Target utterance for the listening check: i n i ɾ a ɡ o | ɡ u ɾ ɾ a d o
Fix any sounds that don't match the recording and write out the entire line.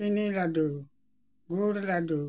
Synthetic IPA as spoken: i n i l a d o | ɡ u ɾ l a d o